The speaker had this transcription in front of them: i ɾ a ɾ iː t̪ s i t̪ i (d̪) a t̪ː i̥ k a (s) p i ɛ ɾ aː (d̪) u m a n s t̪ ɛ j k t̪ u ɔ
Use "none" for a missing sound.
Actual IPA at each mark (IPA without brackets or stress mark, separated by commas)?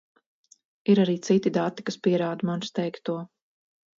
d̪, s, d̪